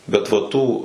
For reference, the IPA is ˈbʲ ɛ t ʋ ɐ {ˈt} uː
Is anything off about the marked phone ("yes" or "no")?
no